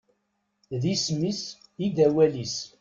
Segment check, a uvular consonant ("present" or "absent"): absent